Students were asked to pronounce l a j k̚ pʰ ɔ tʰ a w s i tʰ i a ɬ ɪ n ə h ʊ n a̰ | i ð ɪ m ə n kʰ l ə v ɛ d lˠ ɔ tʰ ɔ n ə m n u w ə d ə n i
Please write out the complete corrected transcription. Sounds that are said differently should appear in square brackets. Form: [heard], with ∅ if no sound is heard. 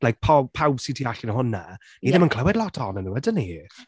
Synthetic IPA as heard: l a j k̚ pʰ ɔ [pʰ] a w s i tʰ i a ɬ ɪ n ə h ʊ n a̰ | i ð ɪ m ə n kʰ l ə [w] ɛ d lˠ ɔ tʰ ɔ n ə [∅] n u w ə d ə n i